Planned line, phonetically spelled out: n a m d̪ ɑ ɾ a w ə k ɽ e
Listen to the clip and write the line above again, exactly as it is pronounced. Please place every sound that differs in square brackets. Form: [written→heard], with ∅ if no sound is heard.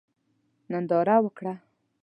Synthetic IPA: n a [m→n] d̪ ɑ ɾ a w ə k ɽ [e→a]